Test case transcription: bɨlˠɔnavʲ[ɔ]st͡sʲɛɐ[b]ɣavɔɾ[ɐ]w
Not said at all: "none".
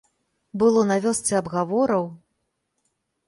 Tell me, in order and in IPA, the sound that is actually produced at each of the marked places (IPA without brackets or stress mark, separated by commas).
ɔ, b, ɐ